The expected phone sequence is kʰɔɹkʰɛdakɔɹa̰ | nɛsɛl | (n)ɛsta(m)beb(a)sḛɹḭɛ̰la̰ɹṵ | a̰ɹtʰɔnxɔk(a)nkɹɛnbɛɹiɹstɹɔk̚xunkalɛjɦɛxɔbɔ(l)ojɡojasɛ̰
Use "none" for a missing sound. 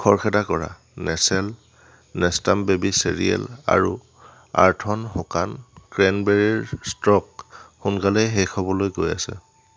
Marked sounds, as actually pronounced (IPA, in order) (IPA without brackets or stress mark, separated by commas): n, m, i, a, l